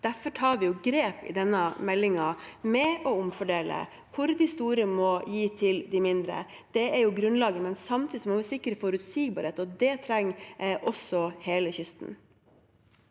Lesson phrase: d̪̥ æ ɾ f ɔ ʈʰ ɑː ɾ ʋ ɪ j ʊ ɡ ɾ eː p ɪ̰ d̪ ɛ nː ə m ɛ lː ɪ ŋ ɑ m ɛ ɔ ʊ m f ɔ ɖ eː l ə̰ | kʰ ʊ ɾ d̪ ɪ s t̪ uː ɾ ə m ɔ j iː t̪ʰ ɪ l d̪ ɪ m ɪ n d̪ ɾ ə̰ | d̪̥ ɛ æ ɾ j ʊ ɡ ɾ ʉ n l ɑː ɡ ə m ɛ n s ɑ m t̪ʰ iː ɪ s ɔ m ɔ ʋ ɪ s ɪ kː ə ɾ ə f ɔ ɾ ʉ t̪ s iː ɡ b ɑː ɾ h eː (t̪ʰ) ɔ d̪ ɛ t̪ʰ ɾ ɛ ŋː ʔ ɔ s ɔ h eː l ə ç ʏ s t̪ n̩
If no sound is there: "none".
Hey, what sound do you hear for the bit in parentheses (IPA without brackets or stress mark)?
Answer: t̪